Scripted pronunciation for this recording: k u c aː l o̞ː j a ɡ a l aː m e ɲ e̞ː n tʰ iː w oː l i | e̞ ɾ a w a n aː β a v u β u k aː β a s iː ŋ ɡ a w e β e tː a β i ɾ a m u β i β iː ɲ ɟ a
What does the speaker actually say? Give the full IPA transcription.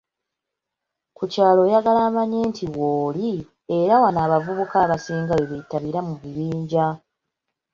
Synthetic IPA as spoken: k u c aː l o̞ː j a ɡ a l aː m a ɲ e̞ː n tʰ i w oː l i | e̞ ɾ a w a n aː β a v u β u k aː β a s iː ŋ ɡ a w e β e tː a β i ɾ a m u β i β iː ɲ ɟ a